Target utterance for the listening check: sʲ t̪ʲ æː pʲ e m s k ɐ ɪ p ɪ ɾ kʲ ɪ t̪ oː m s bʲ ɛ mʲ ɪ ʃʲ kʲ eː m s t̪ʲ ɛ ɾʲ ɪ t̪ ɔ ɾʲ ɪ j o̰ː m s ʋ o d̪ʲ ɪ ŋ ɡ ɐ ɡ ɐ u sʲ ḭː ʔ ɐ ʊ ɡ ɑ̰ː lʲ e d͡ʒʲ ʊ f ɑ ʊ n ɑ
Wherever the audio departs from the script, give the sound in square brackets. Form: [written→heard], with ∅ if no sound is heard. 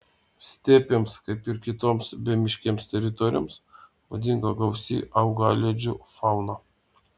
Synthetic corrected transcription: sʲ t̪ʲ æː pʲ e m s k ɐ ɪ p ɪ ɾ kʲ ɪ t̪ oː m s bʲ ɛ mʲ ɪ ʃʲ kʲ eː m s t̪ʲ ɛ ɾʲ ɪ t̪ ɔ ɾʲ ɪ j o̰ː m s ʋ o d̪ʲ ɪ ŋ ɡ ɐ ɡ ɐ [u→ʊ] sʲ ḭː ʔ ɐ ʊ ɡ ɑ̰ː lʲ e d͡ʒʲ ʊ f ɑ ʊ n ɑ

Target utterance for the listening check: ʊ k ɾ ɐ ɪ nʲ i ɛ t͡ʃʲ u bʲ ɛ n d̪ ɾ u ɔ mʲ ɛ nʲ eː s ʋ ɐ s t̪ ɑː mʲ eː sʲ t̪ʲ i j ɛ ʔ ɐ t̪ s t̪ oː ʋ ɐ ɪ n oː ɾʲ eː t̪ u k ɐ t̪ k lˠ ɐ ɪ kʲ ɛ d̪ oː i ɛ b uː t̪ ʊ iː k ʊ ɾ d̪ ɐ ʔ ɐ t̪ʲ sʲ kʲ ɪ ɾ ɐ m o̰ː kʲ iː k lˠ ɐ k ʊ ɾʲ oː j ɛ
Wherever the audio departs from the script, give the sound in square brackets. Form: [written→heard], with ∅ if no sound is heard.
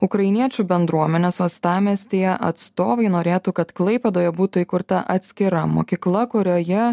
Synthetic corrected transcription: ʊ k ɾ ɐ ɪ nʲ i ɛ t͡ʃʲ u bʲ ɛ n d̪ ɾ u ɔ mʲ ɛ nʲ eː s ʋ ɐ s t̪ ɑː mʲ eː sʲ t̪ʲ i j ɛ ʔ ɐ t̪ s t̪ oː ʋ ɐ ɪ n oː ɾʲ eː t̪ u k ɐ t̪ k lˠ ɐ ɪ [kʲ→pʲ] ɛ d̪ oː [i→j] ɛ b uː t̪ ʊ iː k ʊ ɾ [d̪→t̪] ɐ ʔ ɐ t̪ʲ sʲ kʲ ɪ ɾ ɐ m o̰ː kʲ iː k lˠ ɐ k ʊ ɾʲ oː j ɛ

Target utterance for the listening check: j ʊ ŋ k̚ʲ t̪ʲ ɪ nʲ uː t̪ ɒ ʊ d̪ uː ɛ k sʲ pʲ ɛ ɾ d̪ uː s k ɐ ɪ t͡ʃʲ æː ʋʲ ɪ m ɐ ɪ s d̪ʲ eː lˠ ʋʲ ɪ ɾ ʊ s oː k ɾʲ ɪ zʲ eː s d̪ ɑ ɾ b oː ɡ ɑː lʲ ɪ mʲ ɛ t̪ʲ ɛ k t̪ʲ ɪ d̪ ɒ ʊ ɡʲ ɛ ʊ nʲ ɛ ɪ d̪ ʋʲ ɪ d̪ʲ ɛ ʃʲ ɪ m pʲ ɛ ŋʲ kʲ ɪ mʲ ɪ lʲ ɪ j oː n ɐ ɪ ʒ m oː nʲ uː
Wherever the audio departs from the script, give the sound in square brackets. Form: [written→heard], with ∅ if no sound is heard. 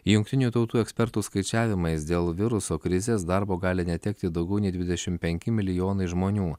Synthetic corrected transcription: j ʊ ŋ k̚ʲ t̪ʲ ɪ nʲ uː t̪ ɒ ʊ [d̪→t̪] uː ɛ k sʲ pʲ ɛ ɾ [d̪→t̪] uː s k ɐ ɪ t͡ʃʲ æː ʋʲ ɪ m ɐ ɪ s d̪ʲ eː lˠ ʋʲ ɪ ɾ ʊ s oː k ɾʲ ɪ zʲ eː s d̪ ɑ ɾ b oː ɡ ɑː lʲ ɪ [mʲ→nʲ] ɛ t̪ʲ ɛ k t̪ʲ ɪ d̪ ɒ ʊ ɡʲ ɛ ʊ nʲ ɛ ɪ d̪ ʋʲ ɪ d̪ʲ ɛ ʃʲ ɪ m pʲ ɛ ŋʲ kʲ ɪ mʲ ɪ lʲ ɪ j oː n ɐ ɪ ʒ m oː nʲ uː

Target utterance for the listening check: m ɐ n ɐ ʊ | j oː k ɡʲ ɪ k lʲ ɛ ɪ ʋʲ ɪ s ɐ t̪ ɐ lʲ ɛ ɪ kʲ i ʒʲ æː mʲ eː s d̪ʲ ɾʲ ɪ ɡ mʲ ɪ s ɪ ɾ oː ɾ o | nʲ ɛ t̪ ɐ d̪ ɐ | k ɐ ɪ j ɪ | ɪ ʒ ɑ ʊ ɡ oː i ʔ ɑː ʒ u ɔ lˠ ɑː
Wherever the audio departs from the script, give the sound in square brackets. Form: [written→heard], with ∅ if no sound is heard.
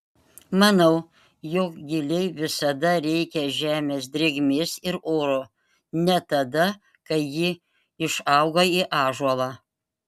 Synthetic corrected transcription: m ɐ n ɐ ʊ | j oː k ɡʲ ɪ [k→∅] lʲ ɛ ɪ ʋʲ ɪ s ɐ [t̪→d̪] ɐ [lʲ→ɾʲ] ɛ ɪ kʲ [i→ɛ] ʒʲ æː mʲ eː s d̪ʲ ɾʲ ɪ ɡ mʲ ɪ s ɪ ɾ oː ɾ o | nʲ ɛ t̪ ɐ d̪ ɐ | k ɐ ɪ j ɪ | ɪ [ʒ→ʃ] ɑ ʊ ɡ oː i ʔ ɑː ʒ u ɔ lˠ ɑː

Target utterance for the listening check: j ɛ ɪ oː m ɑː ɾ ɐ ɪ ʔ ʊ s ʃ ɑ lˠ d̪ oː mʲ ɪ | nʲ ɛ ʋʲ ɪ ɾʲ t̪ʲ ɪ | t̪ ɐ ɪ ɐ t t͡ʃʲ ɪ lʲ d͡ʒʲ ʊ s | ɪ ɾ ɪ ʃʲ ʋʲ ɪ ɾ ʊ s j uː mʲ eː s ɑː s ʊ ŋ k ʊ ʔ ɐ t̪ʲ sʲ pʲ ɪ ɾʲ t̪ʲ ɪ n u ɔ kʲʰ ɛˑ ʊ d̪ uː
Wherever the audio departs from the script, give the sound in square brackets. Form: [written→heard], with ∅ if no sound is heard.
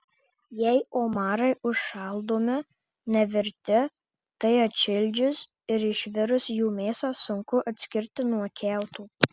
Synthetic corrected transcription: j ɛ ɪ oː m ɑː ɾ ɐ ɪ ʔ ʊ [s→ʃ] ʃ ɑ lˠ d̪ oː mʲ ɪ | nʲ ɛ ʋʲ ɪ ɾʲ t̪ʲ ɪ | t̪ ɐ ɪ ɐ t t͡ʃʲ ɪ lʲ d͡ʒʲ ʊ s | ɪ ɾ ɪ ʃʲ ʋʲ ɪ ɾ ʊ s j uː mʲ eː s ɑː s ʊ ŋ k ʊ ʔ ɐ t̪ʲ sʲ [pʲ→kʲ] ɪ ɾʲ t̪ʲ ɪ n u ɔ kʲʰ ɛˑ ʊ [d̪→t̪] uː

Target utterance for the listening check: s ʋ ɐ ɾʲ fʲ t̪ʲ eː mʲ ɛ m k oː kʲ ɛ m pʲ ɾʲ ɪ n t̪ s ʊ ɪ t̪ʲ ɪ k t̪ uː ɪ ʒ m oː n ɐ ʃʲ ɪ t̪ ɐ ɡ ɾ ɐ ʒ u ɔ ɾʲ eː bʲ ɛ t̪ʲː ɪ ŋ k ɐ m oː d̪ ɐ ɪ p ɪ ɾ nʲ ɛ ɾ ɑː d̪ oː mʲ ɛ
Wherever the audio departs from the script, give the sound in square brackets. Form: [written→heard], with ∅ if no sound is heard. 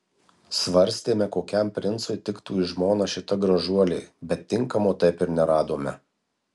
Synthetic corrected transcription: s ʋ ɐ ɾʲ [fʲ→sʲ] t̪ʲ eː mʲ ɛ [m→∅] k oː kʲ ɛ m pʲ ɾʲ ɪ n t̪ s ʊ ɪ t̪ʲ ɪ k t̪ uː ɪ ʒ m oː n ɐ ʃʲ ɪ t̪ ɐ ɡ ɾ ɐ ʒ u ɔ [ɾʲ→lʲ] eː bʲ ɛ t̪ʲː ɪ ŋ k ɐ m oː [d̪→t̪] ɐ ɪ p ɪ ɾ nʲ ɛ ɾ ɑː d̪ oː mʲ ɛ

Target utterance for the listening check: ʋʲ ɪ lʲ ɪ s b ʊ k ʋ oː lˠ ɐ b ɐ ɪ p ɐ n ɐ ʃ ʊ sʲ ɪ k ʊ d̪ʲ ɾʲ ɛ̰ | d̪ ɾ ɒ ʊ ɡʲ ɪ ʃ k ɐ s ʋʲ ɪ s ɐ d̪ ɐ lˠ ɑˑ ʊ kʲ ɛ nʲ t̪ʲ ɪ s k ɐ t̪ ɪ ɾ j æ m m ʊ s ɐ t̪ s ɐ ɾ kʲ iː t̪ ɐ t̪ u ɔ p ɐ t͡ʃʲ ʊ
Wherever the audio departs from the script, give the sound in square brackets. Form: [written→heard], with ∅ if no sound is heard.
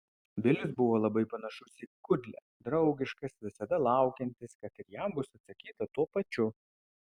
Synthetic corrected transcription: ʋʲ ɪ lʲ ɪ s b ʊ [k→∅] ʋ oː lˠ ɐ b ɐ ɪ p ɐ n ɐ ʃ ʊ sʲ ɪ k ʊ d̪ʲ [ɾʲ→lʲ] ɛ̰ | d̪ ɾ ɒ ʊ ɡʲ ɪ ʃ k ɐ s ʋʲ ɪ s ɐ d̪ ɐ lˠ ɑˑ ʊ kʲ ɛ nʲ t̪ʲ ɪ s k ɐ t̪ ɪ ɾ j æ m [m→b] ʊ s ɐ t̪ s ɐ [ɾ→∅] kʲ iː t̪ ɐ t̪ u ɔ p ɐ t͡ʃʲ ʊ

